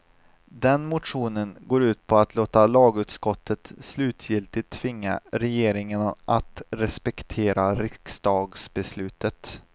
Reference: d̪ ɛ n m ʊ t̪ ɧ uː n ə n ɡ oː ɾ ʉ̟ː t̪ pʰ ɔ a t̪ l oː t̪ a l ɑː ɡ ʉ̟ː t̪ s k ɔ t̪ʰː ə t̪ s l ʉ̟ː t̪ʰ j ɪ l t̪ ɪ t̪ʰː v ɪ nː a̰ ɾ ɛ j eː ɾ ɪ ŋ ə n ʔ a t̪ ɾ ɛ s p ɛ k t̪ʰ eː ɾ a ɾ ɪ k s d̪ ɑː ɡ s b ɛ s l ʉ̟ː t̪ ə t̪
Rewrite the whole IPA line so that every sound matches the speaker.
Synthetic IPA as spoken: d̪ ɛ n m ʊ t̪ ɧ uː n ə n ɡ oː ɾ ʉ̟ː t̪ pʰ ɔ a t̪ l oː t̪ a l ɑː ɡ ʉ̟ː t̪ s k ɔ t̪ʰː ə t̪ s l ʉ̟ː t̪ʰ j ɪ l t̪ ɪ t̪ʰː v ɪ ŋː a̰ ɾ ɛ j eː ɾ ɪ ŋ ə n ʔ a t̪ ɾ ɛ s p ɛ k t̪ʰ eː ɾ a ɾ ɪ k s d̪ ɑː ɡ s b ɛ s l ʉ̟ː t̪ ə t̪